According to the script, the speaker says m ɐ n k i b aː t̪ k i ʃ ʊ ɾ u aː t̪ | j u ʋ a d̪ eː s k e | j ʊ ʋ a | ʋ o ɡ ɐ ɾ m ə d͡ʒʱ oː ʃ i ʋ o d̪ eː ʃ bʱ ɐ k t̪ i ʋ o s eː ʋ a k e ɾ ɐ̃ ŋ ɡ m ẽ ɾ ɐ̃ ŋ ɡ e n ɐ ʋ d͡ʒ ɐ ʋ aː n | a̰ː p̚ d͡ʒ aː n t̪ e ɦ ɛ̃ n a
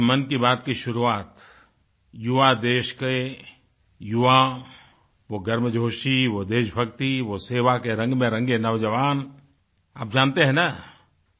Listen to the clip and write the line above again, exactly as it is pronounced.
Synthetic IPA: m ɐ n k i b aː t̪ k i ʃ ʊ ɾ u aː t̪ | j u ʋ a d̪ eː ʃ k e | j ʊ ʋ a | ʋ o ɡ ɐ ɾ m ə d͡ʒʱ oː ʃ i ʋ o d̪ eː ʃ bʱ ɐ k t̪ i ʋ o s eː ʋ a k e ɾ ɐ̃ ŋ ɡ m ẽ ɾ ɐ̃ ŋ ɡ e n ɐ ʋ d͡ʒ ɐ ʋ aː n | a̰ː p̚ d͡ʒ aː n t̪ e ɦ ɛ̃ n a